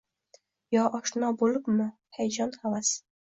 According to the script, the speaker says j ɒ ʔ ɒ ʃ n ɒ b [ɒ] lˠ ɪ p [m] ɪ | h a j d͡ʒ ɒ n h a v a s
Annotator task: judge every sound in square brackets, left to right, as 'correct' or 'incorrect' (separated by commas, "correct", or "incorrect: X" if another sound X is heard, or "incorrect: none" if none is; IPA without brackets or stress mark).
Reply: incorrect: o, correct